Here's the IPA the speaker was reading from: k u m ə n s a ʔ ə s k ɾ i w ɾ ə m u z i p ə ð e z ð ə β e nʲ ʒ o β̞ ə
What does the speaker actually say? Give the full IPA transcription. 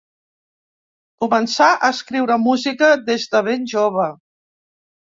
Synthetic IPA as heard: k u m ə n s a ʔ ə s k ɾ i w ɾ ə m u z i k ə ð e z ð ə β e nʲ ʒ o β̞ ə